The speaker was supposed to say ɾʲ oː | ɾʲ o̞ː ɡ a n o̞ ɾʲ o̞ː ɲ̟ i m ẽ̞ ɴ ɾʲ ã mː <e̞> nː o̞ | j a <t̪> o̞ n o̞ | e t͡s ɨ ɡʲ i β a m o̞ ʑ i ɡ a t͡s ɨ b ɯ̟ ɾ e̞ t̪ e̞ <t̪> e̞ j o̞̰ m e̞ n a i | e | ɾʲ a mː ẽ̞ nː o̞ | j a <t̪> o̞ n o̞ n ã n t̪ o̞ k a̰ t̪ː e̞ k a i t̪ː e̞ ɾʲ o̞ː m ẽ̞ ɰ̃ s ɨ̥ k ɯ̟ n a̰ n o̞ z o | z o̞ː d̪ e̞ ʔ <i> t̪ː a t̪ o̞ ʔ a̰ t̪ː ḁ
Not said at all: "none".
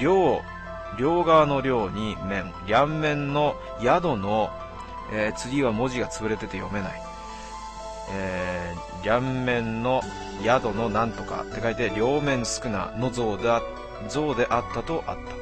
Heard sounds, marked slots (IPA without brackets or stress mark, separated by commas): ẽ̞, d̪, t̪, d̪, a